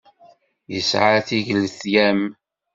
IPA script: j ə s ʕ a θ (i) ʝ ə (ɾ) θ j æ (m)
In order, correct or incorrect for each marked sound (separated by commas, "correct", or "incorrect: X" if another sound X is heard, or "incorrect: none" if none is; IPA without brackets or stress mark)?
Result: correct, incorrect: l, correct